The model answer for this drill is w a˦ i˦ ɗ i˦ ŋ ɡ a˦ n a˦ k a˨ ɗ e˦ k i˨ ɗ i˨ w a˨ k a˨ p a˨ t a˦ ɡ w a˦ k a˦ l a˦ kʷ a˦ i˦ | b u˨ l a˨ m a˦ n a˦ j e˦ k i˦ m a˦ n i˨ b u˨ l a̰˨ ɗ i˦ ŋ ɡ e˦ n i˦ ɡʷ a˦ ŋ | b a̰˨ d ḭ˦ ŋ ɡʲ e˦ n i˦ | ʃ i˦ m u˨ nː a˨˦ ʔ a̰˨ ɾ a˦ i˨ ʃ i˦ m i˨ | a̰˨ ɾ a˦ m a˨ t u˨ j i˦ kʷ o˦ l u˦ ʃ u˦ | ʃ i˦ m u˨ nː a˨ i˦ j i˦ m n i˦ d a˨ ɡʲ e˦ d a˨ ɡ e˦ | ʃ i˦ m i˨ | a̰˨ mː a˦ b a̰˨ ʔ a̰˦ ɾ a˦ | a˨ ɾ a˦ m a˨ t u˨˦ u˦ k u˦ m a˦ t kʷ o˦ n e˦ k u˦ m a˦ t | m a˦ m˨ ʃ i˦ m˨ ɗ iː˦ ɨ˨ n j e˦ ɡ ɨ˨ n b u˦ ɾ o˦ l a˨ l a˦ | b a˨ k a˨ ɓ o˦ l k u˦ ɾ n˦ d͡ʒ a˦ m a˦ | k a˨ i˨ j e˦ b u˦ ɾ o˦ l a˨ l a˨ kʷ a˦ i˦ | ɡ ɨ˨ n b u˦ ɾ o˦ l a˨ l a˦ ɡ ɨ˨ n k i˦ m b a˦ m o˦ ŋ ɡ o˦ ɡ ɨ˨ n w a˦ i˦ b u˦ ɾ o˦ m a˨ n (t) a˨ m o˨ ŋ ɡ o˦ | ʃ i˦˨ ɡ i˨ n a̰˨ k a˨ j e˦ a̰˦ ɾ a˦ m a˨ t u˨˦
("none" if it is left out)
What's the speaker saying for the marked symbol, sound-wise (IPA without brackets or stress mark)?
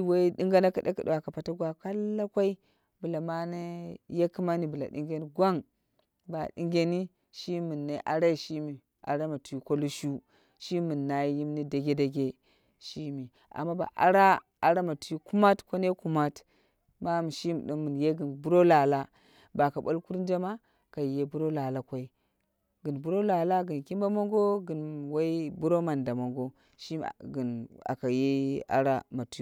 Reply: d